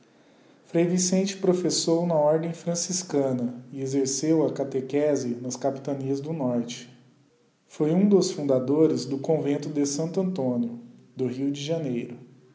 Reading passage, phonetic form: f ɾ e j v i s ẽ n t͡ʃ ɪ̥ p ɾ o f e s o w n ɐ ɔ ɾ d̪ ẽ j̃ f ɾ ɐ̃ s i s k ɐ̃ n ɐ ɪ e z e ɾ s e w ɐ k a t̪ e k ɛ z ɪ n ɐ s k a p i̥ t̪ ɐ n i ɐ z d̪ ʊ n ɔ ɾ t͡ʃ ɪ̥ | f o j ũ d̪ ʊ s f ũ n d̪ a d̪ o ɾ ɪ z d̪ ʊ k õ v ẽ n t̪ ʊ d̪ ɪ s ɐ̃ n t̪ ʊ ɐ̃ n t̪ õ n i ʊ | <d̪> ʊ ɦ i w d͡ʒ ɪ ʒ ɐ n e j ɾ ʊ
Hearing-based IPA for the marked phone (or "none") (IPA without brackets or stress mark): d̪